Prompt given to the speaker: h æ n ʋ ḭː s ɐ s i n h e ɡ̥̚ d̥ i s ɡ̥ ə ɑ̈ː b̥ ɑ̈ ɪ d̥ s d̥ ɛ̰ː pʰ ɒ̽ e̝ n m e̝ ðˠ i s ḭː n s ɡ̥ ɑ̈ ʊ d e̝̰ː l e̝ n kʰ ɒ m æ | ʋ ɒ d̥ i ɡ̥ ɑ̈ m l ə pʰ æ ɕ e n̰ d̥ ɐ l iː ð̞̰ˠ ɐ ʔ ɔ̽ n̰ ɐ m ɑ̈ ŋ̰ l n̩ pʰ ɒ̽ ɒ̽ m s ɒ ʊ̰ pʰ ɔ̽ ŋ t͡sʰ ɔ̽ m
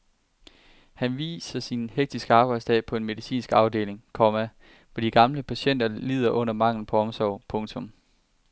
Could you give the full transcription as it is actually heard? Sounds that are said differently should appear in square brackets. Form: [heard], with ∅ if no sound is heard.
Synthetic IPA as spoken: h æ n ʋ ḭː s ɐ s i n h e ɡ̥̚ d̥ i s ɡ̥ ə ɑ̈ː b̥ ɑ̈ ɪ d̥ s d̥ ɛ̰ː pʰ ɒ̽ e̝ n m e̝ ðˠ i s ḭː n s ɡ̥ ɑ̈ ʊ d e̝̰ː l e̝ [ŋ] kʰ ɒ m æ | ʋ ɒ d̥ i ɡ̥ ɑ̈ m l ə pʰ æ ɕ e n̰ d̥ ɐ l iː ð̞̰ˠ ɐ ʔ ɔ̽ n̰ ɐ m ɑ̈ ŋ̰ l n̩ pʰ ɒ̽ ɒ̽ m s ɒ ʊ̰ pʰ ɔ̽ ŋ t͡sʰ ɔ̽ m